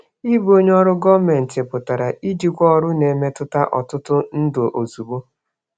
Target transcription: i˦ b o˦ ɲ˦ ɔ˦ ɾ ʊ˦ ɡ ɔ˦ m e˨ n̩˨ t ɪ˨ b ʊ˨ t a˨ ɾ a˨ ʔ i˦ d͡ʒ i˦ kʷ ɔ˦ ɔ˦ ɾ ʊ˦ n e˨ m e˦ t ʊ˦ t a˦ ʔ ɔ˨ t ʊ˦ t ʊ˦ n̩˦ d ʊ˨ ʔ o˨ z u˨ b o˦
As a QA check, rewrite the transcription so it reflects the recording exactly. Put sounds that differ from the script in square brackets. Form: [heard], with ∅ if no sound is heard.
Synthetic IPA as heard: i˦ b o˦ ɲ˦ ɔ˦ ɾ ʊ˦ ɡ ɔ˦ m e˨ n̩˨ t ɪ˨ [p] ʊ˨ t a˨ ɾ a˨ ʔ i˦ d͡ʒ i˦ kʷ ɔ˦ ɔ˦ ɾ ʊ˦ n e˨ m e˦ t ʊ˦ t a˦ ʔ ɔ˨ t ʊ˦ t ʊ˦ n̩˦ d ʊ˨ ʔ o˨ z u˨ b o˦